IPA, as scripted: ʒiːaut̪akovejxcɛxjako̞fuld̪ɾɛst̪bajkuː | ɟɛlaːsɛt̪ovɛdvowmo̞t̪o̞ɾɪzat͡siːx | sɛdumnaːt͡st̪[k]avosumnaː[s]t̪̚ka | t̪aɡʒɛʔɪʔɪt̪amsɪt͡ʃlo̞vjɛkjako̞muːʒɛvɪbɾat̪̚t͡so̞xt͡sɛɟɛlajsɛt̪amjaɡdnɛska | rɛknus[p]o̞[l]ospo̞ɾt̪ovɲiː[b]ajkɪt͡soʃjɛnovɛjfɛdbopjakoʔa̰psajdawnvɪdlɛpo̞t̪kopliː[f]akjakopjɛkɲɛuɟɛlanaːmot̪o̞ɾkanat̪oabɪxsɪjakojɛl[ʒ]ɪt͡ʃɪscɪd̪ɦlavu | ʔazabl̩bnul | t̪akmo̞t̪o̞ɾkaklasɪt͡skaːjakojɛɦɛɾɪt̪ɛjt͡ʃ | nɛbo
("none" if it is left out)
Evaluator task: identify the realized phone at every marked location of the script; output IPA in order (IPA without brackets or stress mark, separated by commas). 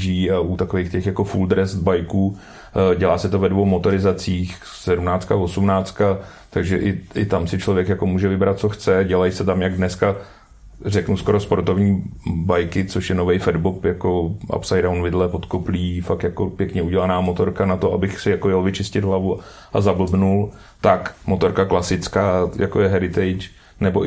k, t͡s, k, ɾ, b, f, v